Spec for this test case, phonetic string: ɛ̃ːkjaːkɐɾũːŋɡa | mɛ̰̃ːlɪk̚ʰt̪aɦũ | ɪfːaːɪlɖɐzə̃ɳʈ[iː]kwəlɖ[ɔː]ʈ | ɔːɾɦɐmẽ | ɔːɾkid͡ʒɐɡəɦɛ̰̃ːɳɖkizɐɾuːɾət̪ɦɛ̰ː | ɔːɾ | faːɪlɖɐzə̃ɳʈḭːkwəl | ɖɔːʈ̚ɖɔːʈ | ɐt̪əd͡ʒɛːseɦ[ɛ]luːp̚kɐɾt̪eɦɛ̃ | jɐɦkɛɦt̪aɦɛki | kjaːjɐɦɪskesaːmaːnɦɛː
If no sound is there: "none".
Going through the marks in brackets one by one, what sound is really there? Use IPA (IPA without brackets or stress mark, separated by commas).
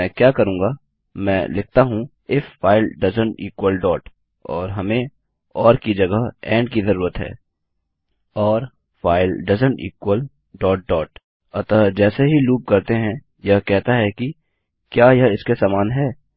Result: iː, ɔː, i